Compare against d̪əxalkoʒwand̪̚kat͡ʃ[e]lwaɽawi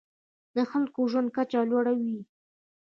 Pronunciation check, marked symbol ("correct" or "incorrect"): incorrect